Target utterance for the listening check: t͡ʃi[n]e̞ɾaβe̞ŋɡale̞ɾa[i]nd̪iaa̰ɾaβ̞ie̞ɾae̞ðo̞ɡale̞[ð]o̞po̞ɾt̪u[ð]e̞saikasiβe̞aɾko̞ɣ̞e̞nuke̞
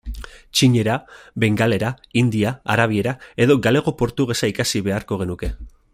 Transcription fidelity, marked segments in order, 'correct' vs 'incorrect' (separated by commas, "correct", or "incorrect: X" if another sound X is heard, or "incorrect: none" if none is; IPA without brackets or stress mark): incorrect: ɲ, correct, incorrect: ɣ, incorrect: ɣ